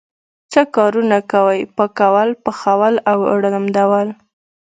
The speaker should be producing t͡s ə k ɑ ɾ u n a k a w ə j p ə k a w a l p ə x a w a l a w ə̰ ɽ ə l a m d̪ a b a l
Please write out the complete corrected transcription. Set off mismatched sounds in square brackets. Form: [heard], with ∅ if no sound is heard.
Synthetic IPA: t͡s ə k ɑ ɾ u n a k a w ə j p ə k a w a l p ə x a w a l a w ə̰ ɽ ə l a m d̪ a [w] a l